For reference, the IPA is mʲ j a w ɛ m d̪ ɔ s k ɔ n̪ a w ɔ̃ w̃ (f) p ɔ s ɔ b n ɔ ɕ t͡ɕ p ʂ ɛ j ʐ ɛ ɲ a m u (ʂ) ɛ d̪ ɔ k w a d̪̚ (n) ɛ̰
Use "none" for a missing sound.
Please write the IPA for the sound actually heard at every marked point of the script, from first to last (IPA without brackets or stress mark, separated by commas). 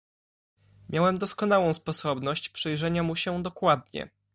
s, ɕ, ɲ